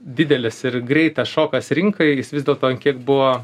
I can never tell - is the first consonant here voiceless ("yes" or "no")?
no